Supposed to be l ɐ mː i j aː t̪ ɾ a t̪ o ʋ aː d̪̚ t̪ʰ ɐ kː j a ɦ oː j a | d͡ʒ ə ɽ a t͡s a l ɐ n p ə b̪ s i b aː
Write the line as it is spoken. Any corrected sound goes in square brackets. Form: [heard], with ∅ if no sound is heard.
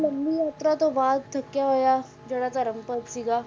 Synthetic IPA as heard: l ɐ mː i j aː t̪ ɾ a t̪ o ʋ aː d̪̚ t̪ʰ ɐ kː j a ɦ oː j a | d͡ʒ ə ɽ a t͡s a [ɾ] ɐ [m] p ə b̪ s i [ɡ] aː